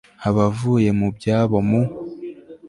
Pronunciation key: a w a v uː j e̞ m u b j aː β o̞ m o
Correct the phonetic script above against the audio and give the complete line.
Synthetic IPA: a β a v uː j e̞ m u b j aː β o̞ m u